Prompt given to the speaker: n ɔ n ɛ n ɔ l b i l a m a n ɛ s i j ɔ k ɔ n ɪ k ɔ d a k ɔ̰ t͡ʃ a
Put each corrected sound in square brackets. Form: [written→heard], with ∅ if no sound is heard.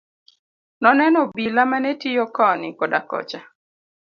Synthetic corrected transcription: n ɔ n ɛ n ɔ [l→∅] b i l a m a n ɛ [s→t] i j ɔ k ɔ n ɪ k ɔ d a k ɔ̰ t͡ʃ a